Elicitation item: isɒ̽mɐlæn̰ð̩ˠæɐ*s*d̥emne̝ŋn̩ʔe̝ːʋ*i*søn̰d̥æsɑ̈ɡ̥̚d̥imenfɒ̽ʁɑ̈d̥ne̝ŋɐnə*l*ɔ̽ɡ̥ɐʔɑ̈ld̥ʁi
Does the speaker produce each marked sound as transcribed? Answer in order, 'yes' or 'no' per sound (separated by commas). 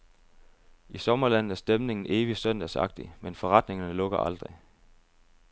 yes, yes, yes